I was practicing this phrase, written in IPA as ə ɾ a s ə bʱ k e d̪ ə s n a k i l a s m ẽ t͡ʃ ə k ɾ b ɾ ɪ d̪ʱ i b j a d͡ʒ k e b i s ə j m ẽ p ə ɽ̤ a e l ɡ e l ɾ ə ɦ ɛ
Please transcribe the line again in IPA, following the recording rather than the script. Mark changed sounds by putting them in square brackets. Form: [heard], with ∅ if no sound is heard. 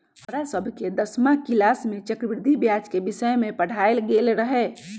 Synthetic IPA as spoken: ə ɾ a s ə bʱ k e d̪ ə s [m] a k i l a s m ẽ t͡ʃ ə k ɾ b ɾ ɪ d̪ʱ i b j a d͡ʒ k e b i s ə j m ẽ p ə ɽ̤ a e l ɡ e l ɾ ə ɦ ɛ